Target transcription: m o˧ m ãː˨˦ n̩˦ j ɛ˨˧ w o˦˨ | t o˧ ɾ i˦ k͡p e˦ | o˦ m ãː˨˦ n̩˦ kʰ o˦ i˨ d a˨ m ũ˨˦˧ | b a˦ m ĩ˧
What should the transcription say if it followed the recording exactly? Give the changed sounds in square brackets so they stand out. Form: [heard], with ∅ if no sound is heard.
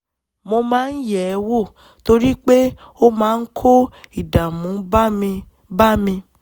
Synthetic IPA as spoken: m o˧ m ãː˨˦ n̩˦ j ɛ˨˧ w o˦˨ | t o˧ ɾ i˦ k͡p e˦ | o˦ m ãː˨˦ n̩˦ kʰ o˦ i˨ d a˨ m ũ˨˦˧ | b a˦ m ĩ˧